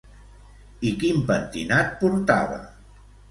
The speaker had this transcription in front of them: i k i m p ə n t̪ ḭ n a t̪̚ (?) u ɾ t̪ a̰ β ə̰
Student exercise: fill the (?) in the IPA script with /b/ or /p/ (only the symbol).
p